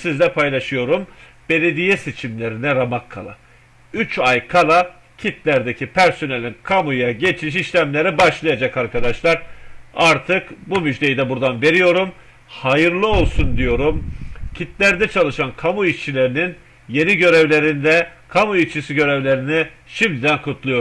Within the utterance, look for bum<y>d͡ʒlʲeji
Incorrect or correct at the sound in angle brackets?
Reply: correct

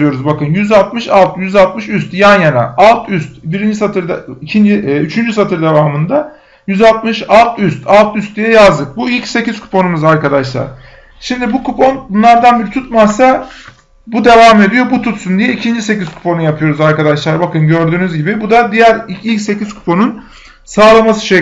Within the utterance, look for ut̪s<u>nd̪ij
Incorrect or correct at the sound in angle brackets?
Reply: correct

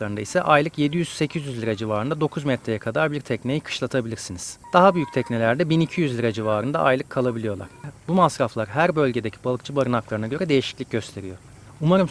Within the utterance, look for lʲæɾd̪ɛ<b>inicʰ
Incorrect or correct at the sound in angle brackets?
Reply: correct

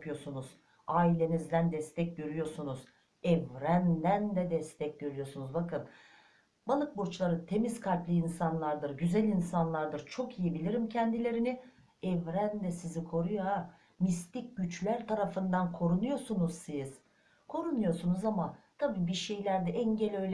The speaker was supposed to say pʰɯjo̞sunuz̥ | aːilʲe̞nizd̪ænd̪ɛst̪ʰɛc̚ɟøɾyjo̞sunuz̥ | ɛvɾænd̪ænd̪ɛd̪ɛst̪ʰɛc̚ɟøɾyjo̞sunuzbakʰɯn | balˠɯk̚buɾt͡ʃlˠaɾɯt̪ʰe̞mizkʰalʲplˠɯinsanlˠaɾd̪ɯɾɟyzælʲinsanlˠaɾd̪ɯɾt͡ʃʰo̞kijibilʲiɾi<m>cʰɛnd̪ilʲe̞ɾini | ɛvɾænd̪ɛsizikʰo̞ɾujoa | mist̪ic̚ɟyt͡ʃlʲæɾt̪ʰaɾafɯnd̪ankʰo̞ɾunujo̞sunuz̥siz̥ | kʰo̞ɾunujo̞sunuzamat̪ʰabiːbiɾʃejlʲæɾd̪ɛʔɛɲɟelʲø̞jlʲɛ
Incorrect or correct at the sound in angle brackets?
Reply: correct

